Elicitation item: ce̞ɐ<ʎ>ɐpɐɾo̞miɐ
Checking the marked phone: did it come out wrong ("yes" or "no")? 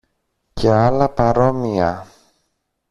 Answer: yes